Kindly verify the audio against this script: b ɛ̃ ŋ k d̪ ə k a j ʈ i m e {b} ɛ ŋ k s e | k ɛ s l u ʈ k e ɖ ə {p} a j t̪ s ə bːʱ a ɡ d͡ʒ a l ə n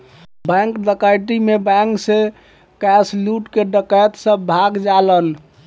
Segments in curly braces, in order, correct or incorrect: correct, incorrect: k

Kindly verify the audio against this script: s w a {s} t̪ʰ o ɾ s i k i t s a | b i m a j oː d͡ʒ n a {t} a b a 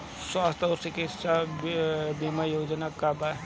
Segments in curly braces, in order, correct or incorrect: correct, incorrect: k

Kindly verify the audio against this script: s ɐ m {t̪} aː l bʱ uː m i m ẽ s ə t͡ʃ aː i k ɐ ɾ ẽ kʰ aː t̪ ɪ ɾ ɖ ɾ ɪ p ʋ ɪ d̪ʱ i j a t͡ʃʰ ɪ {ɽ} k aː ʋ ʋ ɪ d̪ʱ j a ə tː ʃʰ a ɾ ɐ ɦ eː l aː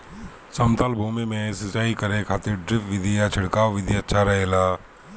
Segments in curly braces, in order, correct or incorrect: correct, correct

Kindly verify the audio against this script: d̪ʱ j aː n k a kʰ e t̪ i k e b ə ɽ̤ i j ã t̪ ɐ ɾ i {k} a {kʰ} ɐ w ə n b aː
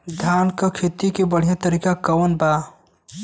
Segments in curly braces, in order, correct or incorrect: correct, incorrect: k

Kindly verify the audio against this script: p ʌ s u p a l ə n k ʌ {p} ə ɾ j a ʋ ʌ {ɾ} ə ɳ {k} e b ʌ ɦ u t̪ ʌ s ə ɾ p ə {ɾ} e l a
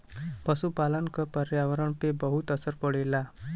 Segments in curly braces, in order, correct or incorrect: correct, correct, incorrect: p, incorrect: ɽ

